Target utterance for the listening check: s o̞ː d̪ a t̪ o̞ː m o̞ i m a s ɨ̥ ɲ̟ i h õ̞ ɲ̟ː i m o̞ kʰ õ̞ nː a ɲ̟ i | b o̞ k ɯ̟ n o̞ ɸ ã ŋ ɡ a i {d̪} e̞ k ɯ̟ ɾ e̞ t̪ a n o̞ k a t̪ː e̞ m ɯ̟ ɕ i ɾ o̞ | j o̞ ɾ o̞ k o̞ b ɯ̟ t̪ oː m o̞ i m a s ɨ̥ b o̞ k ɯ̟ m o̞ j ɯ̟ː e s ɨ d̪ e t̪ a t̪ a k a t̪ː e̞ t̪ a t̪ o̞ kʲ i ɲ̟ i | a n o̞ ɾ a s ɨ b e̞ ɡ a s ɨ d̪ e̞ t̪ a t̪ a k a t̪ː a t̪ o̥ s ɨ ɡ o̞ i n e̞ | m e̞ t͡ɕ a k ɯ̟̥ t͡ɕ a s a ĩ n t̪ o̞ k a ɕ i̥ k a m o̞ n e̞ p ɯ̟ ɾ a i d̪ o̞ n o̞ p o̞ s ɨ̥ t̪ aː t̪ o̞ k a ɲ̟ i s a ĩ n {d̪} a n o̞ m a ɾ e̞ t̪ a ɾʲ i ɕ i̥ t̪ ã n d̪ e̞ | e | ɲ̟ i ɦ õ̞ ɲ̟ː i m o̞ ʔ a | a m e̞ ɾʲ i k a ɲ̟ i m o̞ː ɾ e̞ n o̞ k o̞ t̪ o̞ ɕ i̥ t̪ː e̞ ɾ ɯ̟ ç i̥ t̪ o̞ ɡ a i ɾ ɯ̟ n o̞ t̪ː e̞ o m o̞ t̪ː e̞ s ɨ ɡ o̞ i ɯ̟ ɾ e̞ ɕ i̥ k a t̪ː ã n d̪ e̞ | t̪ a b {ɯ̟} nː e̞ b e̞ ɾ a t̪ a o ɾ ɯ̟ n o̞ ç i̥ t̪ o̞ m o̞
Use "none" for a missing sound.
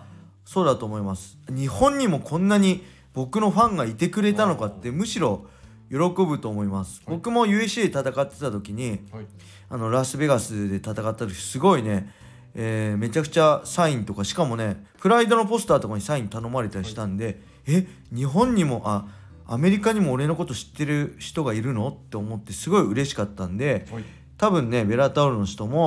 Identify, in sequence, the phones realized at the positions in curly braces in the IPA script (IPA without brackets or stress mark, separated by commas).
t̪, t̪, ɯ̟̃